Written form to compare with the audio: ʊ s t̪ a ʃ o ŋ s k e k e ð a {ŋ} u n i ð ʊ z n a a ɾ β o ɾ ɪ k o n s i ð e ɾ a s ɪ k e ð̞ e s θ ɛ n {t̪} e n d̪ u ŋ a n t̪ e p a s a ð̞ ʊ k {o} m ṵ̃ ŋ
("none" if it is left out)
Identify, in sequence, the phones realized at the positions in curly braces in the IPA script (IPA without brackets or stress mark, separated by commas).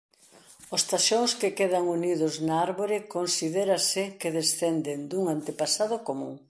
ŋ, d̪, o